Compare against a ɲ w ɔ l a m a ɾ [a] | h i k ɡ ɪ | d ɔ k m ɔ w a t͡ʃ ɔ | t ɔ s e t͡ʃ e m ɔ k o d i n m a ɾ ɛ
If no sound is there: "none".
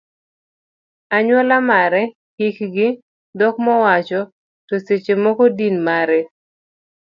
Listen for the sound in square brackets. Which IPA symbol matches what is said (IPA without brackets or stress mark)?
ɛ